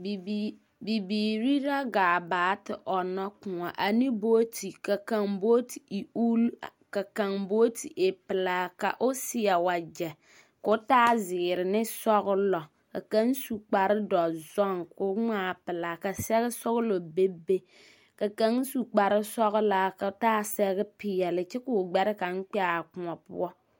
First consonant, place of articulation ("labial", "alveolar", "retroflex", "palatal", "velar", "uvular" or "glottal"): labial